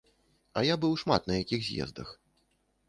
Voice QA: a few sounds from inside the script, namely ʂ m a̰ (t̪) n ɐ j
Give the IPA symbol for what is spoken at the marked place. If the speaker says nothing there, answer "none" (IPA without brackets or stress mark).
t̪